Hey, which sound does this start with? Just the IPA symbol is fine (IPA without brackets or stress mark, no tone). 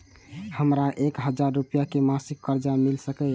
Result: h